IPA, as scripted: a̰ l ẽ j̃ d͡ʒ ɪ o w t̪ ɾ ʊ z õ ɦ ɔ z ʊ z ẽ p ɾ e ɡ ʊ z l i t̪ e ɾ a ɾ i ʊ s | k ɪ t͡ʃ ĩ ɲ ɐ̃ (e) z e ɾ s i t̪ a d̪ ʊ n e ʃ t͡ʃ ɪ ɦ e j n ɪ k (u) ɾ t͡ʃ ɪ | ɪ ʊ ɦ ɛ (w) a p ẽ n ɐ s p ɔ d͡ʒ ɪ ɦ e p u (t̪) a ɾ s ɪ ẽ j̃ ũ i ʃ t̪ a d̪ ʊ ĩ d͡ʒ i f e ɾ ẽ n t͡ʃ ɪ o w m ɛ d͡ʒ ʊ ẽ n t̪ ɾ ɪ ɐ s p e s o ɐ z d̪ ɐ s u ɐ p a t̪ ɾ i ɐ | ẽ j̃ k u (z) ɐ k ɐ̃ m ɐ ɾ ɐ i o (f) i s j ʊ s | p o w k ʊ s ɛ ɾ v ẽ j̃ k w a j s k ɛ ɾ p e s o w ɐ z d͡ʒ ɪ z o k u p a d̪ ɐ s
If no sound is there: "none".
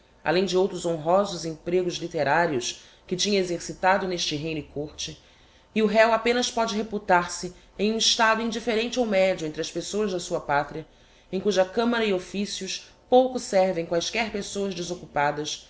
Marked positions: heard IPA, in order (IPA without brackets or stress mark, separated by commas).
e, o, w, t̪, ʒ, f